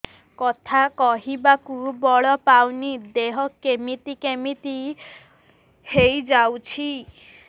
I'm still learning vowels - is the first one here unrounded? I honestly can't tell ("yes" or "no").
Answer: no